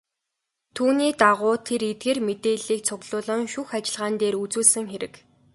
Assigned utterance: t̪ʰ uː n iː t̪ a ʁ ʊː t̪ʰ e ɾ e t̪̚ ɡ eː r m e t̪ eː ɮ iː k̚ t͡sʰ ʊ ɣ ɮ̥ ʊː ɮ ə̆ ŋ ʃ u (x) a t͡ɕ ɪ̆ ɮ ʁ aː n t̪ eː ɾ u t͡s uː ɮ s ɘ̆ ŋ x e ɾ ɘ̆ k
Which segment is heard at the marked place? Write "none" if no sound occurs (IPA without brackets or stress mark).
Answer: x